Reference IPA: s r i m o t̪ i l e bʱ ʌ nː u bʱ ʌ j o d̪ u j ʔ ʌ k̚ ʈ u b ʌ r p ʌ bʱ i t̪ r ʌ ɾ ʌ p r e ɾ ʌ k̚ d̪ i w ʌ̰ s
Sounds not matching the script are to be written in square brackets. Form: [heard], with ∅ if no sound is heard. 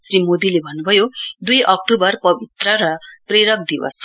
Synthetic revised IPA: s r i m o [d̪] i l e bʱ ʌ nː u bʱ ʌ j o d̪ u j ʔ ʌ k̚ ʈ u b ʌ r p ʌ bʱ i t̪ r ʌ ɾ ʌ p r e ɾ ʌ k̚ d̪ i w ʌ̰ s